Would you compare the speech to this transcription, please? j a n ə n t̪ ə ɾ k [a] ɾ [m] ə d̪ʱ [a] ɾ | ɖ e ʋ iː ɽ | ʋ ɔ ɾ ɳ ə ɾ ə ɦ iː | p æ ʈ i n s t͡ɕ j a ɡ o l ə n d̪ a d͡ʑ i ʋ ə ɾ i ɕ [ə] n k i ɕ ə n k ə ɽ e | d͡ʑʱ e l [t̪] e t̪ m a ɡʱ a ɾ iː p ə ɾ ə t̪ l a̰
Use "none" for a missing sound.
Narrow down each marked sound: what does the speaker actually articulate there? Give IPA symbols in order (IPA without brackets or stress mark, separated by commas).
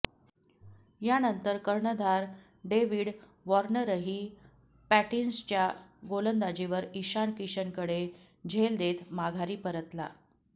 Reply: ə, ɳ, a, a, d̪